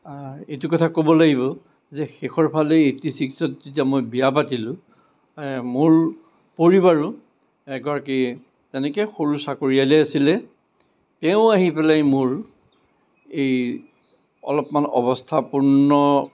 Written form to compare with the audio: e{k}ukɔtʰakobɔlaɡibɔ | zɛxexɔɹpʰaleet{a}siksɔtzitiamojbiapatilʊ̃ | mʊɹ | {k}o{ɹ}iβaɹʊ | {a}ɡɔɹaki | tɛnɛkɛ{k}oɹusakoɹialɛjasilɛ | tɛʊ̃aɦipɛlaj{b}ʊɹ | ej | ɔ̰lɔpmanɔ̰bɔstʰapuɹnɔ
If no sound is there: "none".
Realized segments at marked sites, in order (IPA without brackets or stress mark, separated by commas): t, i, p, ɹ, ɛ, x, m